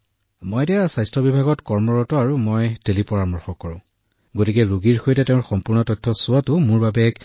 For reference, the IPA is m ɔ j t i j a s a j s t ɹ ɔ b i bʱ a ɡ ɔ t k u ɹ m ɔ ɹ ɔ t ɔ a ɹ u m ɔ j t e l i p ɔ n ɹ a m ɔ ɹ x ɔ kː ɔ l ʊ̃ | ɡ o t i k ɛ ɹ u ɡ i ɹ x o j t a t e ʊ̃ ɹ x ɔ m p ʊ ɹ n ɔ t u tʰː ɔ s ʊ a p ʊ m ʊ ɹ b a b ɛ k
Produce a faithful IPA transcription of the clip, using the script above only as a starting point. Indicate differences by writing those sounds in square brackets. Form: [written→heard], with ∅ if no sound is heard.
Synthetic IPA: m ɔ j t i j a s a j s t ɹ ɔ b i bʱ a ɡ ɔ t k [u→ɔ] ɹ m ɔ ɹ ɔ t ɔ a ɹ u m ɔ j t e l i p ɔ [n→∅] ɹ a m ɔ ɹ x ɔ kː ɔ [l→ɹ] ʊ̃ | ɡ o t i k ɛ ɹ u ɡ i ɹ x o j t [a→ɛ] t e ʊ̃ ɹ x ɔ m p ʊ ɹ n ɔ t [u→ɔ] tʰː ɔ s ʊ a [p→t] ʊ m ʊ ɹ b a b ɛ k

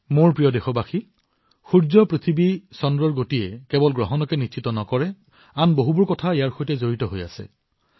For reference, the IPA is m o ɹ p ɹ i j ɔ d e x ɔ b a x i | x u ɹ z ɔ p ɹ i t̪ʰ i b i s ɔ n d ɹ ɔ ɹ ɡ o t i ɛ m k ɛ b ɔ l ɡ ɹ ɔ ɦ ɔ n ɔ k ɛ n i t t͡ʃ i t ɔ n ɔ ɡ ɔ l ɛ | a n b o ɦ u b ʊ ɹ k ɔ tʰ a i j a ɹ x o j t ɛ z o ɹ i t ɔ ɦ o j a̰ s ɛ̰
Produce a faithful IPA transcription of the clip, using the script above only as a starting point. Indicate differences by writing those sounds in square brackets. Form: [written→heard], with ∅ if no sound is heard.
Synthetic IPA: m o ɹ p ɹ i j ɔ d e x ɔ b a x i | x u ɹ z ɔ p ɹ i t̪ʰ i b i s ɔ n d ɹ ɔ ɹ ɡ o t i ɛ [m→∅] k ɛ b ɔ l ɡ ɹ ɔ ɦ ɔ n ɔ k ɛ n i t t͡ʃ i t ɔ n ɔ [ɡ→k] ɔ [l→ɹ] ɛ | a n b o ɦ u b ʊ ɹ k ɔ tʰ a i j a ɹ x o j t ɛ z o ɹ i t ɔ ɦ o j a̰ s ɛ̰

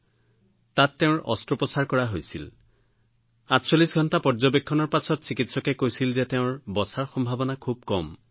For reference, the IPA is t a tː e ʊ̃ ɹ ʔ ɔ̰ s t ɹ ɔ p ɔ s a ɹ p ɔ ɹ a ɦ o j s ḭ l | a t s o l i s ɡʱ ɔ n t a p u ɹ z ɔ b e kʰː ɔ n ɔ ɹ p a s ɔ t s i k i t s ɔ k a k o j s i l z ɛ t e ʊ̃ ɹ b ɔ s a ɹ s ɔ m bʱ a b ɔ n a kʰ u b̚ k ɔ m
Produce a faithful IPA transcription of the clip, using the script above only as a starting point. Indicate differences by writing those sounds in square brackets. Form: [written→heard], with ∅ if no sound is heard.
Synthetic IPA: t a tː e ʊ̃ ɹ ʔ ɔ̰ s t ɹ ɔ p ɔ s a ɹ [p→k] ɔ ɹ a ɦ o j s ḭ l | a t s o l i s ɡʱ ɔ n t a p [u→ɔ] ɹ z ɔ b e kʰː ɔ n ɔ ɹ p a s ɔ t s i k i t s ɔ k [a→ɛ] k o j s i l z ɛ t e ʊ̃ ɹ b ɔ s a ɹ [s→x] ɔ m bʱ a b ɔ n a kʰ u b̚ k ɔ m

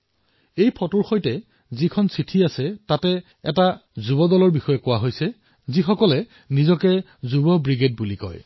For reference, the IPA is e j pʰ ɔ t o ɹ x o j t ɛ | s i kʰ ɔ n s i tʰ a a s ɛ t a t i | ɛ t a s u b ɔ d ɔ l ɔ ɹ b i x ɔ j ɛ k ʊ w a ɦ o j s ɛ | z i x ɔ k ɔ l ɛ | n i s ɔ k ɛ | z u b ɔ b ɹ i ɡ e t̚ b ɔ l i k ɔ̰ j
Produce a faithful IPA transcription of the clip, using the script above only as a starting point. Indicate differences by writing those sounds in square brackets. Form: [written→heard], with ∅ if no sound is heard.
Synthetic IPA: e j pʰ ɔ t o ɹ x o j t ɛ | [s→z] i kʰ ɔ n s i tʰ [a→i] a s ɛ t a t [i→ɛ] | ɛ t a [s→z] u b ɔ d ɔ l ɔ ɹ b i x ɔ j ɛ k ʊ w a ɦ o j s ɛ | z i x ɔ k ɔ l ɛ | n i [s→z] ɔ k ɛ | z u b ɔ b ɹ i ɡ e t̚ b [ɔ→u] l i k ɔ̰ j

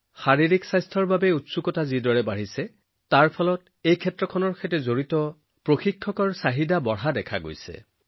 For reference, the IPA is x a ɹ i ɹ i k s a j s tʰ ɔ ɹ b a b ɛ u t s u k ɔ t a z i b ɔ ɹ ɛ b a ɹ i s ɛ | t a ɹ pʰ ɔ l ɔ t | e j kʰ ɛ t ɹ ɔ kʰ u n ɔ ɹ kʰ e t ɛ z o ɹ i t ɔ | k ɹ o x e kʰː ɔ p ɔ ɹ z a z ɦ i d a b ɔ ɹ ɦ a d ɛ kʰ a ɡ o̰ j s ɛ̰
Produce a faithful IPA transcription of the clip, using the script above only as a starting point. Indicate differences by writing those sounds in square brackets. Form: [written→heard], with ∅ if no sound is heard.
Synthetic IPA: x a ɹ i ɹ i k s a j s tʰ ɔ ɹ b a b ɛ u t s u k ɔ t a z i [b→d] ɔ ɹ ɛ b a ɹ i s ɛ | t a ɹ pʰ ɔ l ɔ t | e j kʰ ɛ t ɹ ɔ kʰ [u→ɔ] n ɔ ɹ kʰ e t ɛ z o ɹ i t ɔ | [k→p] ɹ o x [e→i] kʰː ɔ [p→k] ɔ ɹ [z→s] a [z→∅] ɦ i d a b ɔ ɹ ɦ a d ɛ kʰ a ɡ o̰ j s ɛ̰

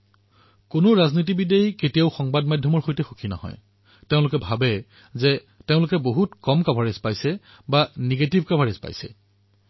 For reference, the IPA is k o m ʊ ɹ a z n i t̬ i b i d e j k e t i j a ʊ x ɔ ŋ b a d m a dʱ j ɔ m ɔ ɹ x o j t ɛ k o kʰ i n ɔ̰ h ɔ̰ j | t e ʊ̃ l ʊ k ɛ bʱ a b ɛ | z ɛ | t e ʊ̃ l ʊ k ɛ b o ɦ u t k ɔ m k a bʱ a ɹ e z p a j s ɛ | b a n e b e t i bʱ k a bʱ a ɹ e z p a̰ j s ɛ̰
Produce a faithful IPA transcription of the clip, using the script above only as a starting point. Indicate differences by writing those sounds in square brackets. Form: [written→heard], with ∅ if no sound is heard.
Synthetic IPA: k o [m→n] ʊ ɹ a z n i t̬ i b i d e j k e t i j a ʊ x ɔ ŋ b a d m a dʱ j ɔ m ɔ ɹ x o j t ɛ [k→x] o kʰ i n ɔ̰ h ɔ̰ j | t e ʊ̃ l ʊ k ɛ bʱ a b ɛ | z ɛ | t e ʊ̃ l ʊ k ɛ b o ɦ u t k ɔ m k a bʱ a ɹ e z p a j s ɛ | b a n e [b→ɡ] e t i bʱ k a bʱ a ɹ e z p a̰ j s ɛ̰

